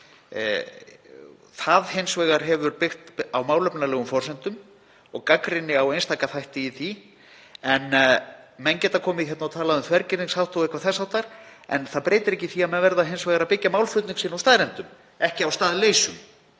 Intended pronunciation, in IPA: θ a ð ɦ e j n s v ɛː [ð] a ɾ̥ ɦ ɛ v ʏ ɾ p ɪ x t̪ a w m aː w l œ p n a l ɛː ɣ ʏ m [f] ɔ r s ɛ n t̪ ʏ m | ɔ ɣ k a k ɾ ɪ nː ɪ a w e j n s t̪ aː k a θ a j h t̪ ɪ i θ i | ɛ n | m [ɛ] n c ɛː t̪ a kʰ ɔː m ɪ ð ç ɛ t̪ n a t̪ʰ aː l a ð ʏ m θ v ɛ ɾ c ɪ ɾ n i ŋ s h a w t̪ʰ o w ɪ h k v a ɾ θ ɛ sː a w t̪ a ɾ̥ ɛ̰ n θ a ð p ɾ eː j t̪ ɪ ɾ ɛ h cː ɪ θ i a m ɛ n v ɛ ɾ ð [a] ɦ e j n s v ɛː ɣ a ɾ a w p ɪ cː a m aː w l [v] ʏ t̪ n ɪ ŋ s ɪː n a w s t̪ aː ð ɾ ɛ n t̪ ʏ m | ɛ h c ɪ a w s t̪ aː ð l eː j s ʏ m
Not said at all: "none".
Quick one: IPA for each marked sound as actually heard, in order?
ɣ, f, ɛ, a, f

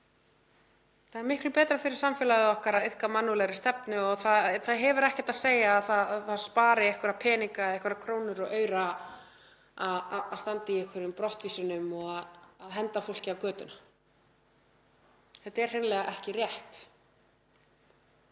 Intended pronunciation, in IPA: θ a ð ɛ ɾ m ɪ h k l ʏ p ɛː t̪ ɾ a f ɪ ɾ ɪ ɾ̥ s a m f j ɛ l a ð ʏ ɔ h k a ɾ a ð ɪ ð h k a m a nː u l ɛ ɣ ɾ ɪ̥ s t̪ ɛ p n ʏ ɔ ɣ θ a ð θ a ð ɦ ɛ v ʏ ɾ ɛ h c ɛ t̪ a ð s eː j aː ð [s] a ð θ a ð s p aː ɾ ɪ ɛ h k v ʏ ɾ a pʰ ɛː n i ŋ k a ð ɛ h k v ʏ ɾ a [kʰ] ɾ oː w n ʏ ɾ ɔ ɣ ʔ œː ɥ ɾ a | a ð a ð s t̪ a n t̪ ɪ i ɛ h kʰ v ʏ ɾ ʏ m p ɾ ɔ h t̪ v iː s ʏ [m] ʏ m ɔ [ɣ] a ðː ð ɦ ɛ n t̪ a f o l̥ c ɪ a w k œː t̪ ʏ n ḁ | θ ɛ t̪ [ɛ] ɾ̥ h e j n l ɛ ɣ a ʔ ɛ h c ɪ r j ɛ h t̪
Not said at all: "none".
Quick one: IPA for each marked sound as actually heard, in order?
θ, kʰ, n, ɣ, ɛ

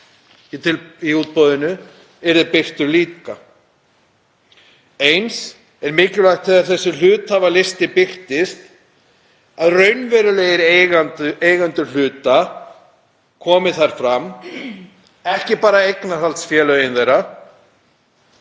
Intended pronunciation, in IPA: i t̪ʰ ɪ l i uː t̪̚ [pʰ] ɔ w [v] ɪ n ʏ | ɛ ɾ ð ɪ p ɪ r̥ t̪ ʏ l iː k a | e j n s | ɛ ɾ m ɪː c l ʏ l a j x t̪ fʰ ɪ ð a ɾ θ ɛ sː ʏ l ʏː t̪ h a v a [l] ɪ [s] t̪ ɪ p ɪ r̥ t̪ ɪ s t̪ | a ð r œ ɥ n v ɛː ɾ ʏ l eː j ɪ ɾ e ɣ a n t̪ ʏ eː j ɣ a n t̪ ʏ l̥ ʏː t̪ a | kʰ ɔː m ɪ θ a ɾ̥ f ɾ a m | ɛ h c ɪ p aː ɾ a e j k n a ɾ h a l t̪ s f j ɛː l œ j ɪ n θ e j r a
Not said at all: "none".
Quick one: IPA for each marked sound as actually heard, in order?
p, ð, l, s

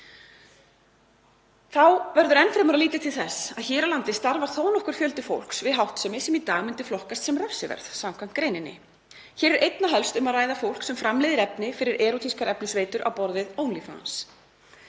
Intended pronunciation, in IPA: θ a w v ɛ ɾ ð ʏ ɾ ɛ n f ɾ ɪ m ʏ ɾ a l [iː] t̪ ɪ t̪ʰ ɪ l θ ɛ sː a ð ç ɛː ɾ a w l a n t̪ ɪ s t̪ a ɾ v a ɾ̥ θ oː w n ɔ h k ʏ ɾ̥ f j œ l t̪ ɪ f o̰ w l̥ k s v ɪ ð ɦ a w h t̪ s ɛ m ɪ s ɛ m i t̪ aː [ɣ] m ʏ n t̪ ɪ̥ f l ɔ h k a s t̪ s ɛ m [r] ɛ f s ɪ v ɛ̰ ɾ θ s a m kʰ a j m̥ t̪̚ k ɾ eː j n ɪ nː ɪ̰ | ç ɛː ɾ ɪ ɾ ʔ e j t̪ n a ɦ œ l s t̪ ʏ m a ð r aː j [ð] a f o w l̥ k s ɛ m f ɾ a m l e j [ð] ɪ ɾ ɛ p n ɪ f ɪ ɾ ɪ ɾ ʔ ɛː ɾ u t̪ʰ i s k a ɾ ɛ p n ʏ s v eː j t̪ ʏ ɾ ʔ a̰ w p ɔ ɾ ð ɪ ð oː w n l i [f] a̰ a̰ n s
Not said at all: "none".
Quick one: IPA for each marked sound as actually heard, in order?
iː, ɣ, r, ð, ð, f

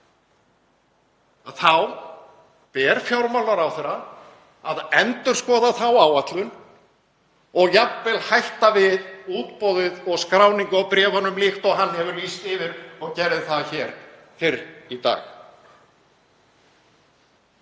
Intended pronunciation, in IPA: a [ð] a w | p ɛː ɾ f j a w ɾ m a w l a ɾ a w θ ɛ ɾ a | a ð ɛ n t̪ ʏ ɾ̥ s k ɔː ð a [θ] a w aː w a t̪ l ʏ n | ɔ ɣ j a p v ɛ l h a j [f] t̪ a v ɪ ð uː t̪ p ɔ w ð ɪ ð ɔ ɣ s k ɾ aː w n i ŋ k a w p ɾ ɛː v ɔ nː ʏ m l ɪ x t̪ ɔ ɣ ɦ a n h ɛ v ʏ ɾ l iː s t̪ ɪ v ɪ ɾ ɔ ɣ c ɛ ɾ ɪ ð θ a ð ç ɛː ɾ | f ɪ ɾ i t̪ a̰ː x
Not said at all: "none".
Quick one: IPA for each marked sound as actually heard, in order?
θ, θ, h

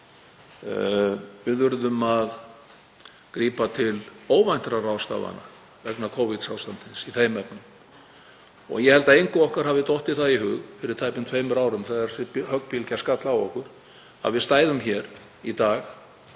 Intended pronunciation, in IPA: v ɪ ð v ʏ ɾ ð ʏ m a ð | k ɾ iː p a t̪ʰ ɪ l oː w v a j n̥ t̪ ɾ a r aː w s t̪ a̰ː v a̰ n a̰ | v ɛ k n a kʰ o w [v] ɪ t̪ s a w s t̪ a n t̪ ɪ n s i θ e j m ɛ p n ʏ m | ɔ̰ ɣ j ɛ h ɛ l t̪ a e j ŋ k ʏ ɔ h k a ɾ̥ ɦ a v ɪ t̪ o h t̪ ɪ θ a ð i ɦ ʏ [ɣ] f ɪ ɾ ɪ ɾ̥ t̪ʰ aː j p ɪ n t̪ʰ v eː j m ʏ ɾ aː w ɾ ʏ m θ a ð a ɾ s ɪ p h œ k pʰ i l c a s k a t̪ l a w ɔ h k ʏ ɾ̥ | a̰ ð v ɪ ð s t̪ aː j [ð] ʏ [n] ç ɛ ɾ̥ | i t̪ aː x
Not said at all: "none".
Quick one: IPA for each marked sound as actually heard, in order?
v, ɣ, ð, m

